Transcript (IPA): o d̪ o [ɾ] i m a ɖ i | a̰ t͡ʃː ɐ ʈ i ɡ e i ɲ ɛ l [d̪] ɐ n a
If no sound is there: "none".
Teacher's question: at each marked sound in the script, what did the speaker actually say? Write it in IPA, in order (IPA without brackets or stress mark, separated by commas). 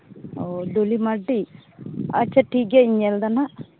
l, d̪